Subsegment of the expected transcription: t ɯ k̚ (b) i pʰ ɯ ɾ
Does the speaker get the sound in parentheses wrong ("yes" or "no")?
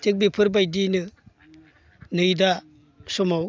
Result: no